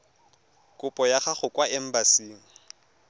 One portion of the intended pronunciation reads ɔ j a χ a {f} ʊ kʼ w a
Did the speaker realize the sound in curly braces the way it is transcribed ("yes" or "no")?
no